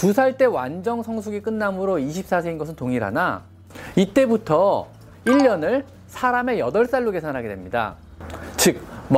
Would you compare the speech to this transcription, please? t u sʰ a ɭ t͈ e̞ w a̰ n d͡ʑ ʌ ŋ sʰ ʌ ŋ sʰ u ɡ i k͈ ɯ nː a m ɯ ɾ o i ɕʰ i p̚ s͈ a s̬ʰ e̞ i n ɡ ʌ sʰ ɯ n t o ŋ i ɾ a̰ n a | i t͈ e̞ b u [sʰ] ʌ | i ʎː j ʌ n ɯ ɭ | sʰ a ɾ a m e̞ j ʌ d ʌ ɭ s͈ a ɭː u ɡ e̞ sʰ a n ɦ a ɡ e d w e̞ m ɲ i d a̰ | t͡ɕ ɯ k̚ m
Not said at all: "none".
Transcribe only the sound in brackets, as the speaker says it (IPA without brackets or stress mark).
tʰ